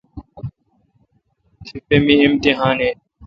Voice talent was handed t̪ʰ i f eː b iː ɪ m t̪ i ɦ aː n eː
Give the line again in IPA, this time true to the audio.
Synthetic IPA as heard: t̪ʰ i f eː m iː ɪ m t̪ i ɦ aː n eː